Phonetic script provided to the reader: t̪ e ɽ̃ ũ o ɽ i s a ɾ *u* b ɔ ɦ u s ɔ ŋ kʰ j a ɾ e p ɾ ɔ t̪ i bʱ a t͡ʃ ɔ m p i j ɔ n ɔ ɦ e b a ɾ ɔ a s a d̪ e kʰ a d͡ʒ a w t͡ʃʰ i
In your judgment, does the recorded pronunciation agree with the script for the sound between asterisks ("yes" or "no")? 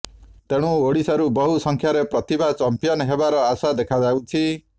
yes